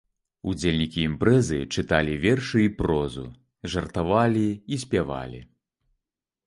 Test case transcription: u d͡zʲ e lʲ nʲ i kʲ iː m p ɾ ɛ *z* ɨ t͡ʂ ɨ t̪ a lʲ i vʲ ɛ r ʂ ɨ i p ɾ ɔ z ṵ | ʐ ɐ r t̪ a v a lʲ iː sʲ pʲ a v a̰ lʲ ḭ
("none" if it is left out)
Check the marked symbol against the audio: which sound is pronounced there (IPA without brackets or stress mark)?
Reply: z